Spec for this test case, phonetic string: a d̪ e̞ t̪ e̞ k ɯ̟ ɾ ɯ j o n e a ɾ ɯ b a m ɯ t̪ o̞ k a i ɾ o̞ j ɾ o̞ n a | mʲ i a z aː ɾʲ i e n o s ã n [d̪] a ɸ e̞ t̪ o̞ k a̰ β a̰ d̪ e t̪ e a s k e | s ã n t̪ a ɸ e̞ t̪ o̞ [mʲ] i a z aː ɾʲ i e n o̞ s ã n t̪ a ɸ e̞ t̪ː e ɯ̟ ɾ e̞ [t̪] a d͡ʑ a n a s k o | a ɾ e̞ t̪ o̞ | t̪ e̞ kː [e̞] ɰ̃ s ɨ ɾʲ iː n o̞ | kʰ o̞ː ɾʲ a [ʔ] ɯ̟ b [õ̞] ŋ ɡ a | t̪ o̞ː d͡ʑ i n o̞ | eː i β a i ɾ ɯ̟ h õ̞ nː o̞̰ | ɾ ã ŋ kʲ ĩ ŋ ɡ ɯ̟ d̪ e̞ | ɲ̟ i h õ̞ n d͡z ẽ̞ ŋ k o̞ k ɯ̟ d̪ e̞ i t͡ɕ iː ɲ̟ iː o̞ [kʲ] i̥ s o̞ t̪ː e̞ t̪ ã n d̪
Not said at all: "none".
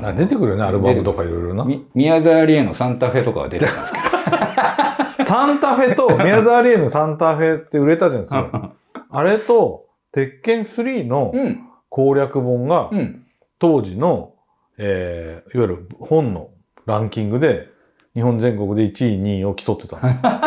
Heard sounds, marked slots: t̪, mʲ, t̪, ẽ̞, k, õ̞, kʲ

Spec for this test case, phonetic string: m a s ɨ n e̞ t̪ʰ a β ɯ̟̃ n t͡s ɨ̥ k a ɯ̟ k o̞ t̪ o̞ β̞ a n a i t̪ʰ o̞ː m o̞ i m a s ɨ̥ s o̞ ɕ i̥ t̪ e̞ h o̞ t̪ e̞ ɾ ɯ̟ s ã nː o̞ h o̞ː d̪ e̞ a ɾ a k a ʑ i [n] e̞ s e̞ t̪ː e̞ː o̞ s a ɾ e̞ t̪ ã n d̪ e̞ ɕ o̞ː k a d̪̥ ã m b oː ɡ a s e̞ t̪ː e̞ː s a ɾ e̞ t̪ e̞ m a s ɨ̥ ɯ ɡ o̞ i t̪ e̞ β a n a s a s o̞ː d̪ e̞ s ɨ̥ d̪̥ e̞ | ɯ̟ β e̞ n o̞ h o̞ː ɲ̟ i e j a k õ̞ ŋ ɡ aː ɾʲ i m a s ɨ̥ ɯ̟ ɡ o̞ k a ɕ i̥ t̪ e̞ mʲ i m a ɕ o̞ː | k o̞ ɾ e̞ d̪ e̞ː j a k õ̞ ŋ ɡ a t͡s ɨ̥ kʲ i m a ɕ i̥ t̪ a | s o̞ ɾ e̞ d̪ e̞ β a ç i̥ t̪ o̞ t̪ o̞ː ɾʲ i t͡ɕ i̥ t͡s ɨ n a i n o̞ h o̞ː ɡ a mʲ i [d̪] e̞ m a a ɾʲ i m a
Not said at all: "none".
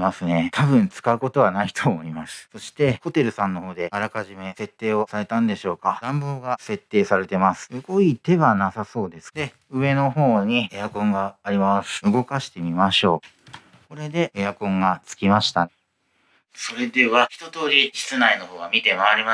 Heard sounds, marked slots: m, t̪

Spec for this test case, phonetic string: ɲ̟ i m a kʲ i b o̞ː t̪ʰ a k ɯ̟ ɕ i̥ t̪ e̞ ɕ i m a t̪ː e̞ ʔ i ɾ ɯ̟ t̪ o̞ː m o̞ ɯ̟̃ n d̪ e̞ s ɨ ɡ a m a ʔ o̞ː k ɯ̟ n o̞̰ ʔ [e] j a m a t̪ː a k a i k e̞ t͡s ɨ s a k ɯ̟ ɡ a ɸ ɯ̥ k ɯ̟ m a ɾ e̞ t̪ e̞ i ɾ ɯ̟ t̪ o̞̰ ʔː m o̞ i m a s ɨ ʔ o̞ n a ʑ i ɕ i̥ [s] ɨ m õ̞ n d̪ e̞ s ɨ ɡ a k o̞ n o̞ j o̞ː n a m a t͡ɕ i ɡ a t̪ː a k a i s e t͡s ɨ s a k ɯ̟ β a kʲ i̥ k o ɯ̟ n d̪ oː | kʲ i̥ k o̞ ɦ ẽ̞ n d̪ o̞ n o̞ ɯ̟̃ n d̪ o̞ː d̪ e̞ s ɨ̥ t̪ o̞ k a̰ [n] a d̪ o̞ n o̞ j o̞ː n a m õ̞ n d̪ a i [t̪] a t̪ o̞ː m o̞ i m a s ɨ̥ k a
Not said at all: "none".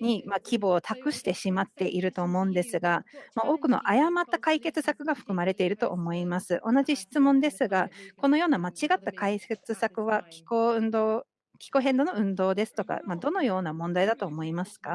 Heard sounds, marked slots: a, t͡s, m, d̪

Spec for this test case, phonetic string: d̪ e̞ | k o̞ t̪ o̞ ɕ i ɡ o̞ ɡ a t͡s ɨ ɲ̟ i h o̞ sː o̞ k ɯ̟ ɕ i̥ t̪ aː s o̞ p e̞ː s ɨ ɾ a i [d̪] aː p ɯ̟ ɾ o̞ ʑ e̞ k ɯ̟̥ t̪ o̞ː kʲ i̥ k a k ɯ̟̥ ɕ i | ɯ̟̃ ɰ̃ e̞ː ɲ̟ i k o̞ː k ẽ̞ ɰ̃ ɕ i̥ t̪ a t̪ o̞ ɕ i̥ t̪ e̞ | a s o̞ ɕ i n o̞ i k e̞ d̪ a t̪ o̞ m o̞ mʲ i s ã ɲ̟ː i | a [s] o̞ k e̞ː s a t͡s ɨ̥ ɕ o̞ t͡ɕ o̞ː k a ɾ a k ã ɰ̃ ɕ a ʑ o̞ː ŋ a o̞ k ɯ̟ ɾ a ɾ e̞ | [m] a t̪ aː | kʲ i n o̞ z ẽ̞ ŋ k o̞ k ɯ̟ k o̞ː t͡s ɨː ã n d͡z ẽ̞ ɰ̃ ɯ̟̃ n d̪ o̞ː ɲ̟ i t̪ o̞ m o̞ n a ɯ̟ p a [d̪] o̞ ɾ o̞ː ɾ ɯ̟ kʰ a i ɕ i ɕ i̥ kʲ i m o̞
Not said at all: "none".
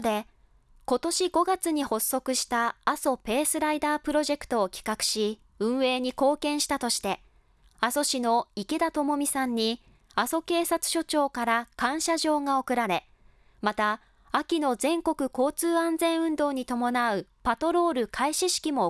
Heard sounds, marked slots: d̪, s, m, t̪

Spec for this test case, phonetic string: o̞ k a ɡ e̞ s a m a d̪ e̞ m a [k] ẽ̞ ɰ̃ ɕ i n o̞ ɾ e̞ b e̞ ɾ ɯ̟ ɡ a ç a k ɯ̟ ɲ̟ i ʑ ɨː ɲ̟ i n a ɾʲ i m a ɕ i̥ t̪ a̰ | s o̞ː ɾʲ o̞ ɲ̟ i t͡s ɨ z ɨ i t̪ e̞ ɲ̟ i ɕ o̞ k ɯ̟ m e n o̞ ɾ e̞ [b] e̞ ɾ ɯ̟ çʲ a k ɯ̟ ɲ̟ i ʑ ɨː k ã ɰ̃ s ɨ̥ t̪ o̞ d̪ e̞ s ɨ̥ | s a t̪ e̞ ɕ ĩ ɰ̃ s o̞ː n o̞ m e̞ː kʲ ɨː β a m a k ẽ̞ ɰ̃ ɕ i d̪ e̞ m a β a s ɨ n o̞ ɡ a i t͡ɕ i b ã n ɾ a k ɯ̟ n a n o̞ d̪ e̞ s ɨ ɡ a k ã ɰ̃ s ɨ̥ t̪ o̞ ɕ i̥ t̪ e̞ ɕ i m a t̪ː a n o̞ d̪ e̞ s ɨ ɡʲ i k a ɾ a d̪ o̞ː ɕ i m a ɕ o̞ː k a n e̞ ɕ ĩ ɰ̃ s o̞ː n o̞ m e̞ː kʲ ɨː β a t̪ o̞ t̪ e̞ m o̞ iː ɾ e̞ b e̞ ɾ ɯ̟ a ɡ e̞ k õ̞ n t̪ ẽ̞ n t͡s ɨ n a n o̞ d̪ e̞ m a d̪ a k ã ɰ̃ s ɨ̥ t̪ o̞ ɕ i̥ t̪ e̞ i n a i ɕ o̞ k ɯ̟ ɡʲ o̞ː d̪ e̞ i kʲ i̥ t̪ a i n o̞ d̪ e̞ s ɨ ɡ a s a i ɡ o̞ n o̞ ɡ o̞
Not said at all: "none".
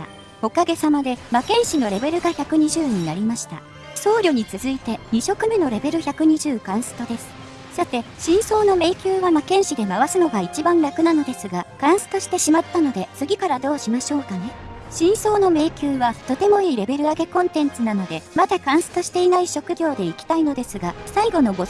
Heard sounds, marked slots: k, b

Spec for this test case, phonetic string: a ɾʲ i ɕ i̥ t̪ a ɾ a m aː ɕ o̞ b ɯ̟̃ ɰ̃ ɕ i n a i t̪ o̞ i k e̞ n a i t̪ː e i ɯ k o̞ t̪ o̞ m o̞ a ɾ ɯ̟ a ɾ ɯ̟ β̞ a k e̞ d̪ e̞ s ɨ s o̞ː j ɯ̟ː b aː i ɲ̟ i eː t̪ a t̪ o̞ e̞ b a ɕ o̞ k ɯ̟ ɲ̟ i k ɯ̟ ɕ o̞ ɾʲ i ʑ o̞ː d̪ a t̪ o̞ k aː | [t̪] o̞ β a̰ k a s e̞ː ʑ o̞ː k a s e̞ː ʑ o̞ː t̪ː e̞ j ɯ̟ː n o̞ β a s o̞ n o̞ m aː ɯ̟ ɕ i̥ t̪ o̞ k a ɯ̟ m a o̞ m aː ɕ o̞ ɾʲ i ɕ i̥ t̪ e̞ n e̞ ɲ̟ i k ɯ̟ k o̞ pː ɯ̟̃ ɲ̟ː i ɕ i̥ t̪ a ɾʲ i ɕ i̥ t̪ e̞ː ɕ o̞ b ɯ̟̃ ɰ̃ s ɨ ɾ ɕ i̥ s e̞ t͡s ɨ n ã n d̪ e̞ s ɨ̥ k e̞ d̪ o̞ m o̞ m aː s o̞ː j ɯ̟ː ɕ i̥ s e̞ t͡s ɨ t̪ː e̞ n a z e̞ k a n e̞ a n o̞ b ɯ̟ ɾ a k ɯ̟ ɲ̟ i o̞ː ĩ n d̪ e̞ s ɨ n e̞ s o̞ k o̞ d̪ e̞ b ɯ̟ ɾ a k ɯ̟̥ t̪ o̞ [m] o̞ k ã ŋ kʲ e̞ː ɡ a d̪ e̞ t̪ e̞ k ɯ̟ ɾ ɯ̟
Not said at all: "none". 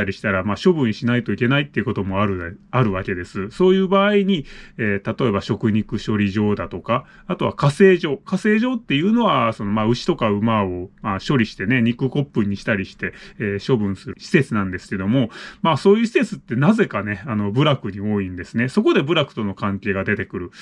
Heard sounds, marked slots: t̪, n

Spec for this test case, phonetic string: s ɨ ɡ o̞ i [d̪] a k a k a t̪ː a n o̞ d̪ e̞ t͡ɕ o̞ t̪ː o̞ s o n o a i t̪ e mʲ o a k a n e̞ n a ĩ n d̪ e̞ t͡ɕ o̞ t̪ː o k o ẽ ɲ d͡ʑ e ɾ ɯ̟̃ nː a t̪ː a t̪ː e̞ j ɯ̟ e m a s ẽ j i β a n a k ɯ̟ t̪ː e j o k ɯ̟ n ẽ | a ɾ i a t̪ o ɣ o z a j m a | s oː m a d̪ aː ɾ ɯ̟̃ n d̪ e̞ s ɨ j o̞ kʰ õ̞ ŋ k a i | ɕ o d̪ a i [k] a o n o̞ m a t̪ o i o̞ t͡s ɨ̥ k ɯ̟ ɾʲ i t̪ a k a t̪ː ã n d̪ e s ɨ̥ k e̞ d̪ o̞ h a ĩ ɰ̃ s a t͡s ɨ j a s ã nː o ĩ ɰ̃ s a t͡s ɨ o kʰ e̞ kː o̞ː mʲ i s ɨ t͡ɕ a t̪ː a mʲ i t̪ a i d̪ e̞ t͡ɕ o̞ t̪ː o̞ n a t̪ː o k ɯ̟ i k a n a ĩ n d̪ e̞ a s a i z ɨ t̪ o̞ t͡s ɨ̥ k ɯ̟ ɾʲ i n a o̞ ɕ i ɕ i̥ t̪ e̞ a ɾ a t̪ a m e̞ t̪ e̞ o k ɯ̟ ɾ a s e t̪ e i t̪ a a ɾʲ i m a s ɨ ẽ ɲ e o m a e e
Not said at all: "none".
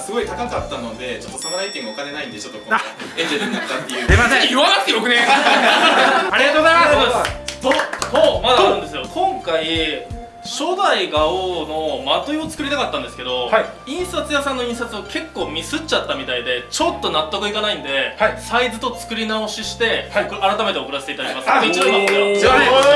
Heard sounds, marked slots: t̪, ɡ

